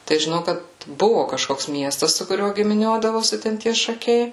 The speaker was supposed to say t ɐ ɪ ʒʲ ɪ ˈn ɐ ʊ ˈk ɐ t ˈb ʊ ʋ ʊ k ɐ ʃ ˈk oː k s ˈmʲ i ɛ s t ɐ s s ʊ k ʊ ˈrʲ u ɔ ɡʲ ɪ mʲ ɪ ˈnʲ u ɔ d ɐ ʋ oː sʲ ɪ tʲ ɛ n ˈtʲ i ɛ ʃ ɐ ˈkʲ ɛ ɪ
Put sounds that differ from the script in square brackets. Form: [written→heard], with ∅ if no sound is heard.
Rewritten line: t ɐ ɪ ʒʲ ɪ ˈn ɐ ʊ ˈk ɐ t ˈb ʊ ʋ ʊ k ɐ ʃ ˈk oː k s ˈmʲ i ɛ s t ɐ s s ʊ k ʊ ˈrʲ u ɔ ɡʲ ɪ mʲ ɪ ˈnʲ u ɔ d ɐ ʋ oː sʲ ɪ tʲ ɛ n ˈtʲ i ɛ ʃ ɐ ˈkʲ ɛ ɪ